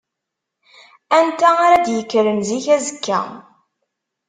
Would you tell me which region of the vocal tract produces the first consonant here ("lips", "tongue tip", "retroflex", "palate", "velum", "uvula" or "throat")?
tongue tip